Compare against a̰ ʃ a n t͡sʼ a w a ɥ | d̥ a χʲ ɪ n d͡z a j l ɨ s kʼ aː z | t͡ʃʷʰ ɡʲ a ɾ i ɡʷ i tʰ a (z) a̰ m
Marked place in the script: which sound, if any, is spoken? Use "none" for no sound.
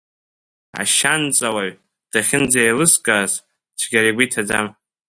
d͡z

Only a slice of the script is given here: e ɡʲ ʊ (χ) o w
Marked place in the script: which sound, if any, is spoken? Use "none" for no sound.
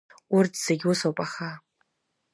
s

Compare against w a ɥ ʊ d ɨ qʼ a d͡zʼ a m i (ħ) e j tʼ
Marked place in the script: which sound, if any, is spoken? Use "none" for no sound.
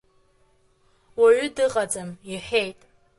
ħ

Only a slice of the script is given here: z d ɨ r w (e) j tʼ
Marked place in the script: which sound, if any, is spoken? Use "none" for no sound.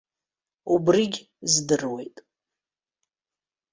e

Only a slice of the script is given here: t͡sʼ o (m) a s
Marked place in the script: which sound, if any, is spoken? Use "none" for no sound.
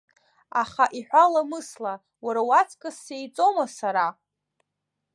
m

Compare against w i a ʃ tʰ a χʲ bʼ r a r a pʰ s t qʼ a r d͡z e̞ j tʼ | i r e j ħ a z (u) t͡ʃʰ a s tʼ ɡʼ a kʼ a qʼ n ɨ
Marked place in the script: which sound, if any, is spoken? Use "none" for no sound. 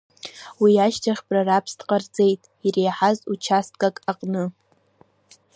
u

